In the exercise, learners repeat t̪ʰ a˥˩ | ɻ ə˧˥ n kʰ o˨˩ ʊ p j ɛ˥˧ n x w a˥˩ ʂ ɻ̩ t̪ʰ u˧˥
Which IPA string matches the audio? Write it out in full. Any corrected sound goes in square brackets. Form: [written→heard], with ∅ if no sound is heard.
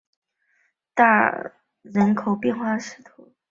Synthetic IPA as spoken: [t̪ʰ→t̪] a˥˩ | ɻ ə˧˥ n kʰ o˨˩ ʊ p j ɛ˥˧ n x w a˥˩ ʂ ɻ̩ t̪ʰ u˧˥